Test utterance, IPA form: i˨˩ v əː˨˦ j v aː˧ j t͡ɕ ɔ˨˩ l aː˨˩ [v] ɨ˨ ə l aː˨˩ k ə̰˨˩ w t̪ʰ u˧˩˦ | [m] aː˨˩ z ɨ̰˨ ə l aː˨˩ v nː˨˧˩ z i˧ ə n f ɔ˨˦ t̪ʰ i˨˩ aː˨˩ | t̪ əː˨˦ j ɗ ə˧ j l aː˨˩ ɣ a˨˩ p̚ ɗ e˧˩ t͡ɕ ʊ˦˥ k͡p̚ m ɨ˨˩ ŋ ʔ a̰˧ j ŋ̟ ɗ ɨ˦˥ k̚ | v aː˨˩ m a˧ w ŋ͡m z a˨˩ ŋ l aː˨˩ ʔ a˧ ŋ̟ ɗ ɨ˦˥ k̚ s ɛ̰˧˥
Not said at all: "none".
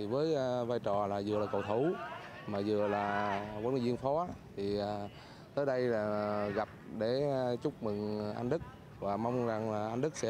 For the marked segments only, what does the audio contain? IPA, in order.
z, m

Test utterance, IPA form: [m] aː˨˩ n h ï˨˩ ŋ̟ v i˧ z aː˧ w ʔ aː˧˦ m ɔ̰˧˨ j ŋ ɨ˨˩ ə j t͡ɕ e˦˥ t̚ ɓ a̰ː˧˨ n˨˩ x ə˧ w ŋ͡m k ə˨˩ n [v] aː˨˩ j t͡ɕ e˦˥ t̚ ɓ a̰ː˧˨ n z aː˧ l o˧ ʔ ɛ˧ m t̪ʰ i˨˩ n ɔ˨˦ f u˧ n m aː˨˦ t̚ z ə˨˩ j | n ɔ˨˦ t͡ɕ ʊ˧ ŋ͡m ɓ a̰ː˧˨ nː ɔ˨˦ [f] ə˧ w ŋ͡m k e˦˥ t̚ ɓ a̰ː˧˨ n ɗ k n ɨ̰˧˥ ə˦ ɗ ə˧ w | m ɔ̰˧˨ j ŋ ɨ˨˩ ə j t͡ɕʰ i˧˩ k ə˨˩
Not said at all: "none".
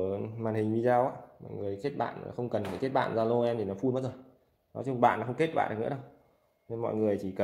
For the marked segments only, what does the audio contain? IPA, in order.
m, f, x

